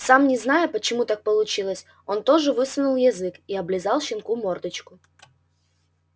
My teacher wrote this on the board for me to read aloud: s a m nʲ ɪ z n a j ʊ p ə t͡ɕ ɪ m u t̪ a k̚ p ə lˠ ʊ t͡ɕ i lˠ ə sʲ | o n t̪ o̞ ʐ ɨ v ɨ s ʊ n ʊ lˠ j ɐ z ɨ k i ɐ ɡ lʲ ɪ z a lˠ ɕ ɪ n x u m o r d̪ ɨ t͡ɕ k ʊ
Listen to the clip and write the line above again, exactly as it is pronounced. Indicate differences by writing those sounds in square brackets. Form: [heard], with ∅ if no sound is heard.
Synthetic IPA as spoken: s a m nʲ ɪ z n a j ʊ p ə t͡ɕ ɪ m u t̪ a k̚ p ə lˠ ʊ t͡ɕ i lˠ ə sʲ | o n t̪ o̞ ʐ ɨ v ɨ s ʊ n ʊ lˠ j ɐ z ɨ k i ɐ [b] lʲ ɪ z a lˠ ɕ ɪ n [k] u m o r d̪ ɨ t͡ɕ k ʊ